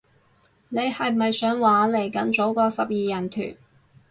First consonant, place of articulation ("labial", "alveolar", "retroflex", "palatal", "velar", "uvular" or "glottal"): alveolar